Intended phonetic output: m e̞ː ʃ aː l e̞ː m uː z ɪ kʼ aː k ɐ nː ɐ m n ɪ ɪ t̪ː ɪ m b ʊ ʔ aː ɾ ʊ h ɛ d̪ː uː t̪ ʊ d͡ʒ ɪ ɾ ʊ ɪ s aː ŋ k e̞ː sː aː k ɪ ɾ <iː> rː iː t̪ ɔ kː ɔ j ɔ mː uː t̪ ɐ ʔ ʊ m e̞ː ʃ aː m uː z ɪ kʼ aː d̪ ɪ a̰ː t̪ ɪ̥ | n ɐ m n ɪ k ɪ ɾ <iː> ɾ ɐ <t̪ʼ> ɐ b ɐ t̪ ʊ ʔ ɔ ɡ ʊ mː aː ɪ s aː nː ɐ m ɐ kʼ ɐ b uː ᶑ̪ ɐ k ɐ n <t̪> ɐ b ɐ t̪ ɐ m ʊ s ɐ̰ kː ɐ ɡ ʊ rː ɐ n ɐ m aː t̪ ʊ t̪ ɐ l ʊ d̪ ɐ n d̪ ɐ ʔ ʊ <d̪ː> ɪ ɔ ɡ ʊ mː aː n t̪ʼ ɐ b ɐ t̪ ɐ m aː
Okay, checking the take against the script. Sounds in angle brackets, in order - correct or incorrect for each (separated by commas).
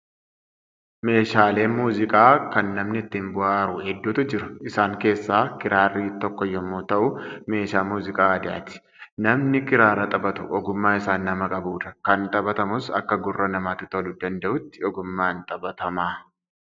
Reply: incorrect, incorrect, correct, incorrect, incorrect